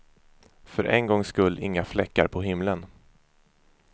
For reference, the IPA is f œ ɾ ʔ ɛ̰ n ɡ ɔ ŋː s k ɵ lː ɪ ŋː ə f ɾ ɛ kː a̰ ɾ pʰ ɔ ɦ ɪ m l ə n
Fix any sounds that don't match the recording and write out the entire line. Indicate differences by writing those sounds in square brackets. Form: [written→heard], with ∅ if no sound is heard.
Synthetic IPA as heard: f œ ɾ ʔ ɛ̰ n ɡ ɔ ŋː s k ɵ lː ɪ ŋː [ə→a] f [ɾ→l] ɛ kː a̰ ɾ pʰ ɔ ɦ ɪ m l ə n